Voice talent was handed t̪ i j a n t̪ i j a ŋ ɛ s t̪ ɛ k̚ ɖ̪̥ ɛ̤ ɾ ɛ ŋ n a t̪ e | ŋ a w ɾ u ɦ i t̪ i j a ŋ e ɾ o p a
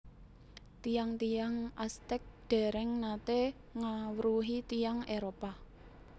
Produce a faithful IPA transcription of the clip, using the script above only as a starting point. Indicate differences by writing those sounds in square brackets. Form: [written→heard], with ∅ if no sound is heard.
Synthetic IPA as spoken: t̪ i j a [n→ŋ] t̪ i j a ŋ [ɛ→a] s t̪ ɛ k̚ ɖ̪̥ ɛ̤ ɾ ɛ ŋ n a t̪ e | ŋ a w ɾ u ɦ i t̪ i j a ŋ e ɾ o p a